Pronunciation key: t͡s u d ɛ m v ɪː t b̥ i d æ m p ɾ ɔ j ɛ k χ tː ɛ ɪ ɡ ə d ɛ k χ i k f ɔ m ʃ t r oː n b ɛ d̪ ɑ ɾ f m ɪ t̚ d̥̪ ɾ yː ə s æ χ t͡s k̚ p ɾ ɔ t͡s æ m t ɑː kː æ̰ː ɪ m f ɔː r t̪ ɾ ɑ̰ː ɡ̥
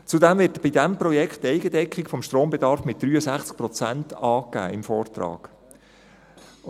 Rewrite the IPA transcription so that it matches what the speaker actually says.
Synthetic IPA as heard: t͡s u d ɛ m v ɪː t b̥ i d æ m p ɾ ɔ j ɛ k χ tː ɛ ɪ ɡ ə d ɛ k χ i k f ɔ m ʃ t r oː m b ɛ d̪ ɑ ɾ f m ɪ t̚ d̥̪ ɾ yː ə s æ χ t͡s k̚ p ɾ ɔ t͡s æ n t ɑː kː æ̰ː ɪ m f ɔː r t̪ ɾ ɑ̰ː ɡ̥